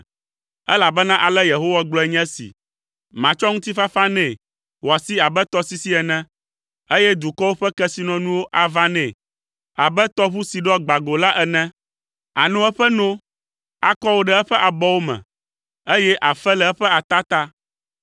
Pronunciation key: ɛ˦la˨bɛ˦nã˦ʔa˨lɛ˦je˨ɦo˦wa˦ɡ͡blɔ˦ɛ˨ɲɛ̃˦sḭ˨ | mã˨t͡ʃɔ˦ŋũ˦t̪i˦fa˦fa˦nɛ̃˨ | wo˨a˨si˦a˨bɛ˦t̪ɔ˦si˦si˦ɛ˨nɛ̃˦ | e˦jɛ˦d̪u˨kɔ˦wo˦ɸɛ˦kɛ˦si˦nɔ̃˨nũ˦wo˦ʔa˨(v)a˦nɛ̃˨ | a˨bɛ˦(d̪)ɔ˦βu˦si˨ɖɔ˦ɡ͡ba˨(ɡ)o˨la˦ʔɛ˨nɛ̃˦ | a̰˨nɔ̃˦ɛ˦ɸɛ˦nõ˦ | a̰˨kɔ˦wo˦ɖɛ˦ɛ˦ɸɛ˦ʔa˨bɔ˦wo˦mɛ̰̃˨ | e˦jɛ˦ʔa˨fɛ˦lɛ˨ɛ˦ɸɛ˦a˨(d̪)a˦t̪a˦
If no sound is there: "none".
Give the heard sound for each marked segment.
v, t̪, ɡ, t̪

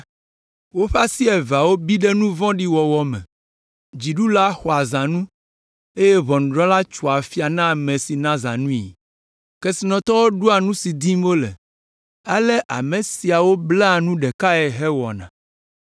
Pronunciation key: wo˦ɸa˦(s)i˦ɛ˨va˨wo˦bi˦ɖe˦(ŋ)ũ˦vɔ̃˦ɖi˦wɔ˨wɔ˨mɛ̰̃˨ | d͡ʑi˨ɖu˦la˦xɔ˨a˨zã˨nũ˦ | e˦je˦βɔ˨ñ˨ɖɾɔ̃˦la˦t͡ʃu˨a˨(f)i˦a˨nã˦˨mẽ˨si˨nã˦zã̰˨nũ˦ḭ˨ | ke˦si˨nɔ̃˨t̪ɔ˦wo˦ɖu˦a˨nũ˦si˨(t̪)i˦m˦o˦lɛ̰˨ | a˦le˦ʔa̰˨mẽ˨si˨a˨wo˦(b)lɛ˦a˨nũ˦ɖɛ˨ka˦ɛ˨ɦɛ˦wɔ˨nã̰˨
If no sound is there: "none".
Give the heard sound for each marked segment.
s, n, f, d̪, b

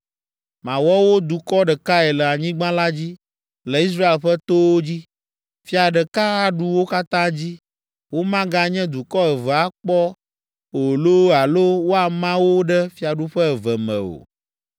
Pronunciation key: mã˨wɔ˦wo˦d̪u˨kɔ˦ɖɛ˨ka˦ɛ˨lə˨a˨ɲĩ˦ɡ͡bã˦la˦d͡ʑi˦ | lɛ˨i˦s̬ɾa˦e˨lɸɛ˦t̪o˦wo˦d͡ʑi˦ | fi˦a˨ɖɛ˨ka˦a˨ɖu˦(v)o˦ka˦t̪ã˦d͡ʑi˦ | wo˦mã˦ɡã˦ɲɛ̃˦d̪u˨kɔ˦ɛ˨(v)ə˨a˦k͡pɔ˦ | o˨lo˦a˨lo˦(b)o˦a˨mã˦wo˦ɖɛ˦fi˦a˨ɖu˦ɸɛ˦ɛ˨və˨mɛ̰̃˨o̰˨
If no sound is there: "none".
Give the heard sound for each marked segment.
w, v, w

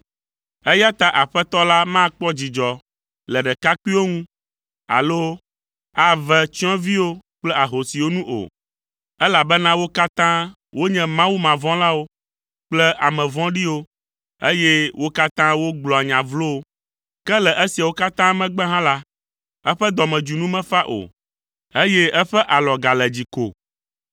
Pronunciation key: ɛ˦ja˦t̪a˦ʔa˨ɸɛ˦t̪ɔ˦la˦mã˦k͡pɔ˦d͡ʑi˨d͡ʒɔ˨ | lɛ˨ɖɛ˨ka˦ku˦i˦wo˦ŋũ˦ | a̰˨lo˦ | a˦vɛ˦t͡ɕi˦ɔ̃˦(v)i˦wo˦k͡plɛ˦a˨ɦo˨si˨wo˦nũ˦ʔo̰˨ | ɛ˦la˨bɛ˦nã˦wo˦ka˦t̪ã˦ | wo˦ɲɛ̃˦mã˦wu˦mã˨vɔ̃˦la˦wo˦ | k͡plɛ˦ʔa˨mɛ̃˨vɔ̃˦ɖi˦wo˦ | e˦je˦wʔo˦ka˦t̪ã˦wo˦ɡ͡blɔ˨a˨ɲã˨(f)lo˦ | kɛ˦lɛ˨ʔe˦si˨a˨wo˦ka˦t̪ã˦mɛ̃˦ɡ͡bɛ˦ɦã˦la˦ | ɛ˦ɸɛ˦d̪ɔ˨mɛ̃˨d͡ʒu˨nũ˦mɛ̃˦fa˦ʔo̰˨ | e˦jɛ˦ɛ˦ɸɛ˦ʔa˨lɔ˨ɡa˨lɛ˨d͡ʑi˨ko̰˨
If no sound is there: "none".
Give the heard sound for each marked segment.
v, v

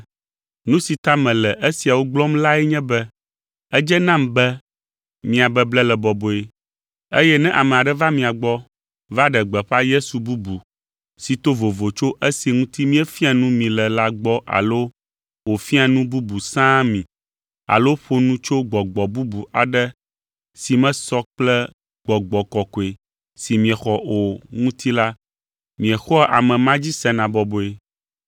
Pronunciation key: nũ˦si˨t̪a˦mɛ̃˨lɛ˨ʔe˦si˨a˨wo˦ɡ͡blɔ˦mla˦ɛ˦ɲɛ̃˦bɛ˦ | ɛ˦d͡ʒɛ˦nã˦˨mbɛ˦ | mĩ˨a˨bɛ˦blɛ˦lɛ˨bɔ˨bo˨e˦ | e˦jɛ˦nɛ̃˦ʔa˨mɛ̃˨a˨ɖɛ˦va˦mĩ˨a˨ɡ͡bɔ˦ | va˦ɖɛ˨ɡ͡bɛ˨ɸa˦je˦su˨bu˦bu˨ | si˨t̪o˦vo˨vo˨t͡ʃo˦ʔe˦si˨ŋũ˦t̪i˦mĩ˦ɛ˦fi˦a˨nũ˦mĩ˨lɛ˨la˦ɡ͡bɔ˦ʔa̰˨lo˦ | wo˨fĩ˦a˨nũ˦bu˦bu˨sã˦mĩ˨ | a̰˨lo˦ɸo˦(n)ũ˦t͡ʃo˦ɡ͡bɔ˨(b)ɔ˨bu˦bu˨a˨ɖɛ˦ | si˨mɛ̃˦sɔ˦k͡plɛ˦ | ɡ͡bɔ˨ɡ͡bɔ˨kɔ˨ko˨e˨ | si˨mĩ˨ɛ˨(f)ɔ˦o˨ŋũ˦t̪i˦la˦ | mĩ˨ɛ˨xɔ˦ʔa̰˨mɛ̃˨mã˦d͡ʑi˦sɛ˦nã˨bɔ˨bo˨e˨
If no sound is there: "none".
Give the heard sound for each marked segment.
n, ɡ͡b, x

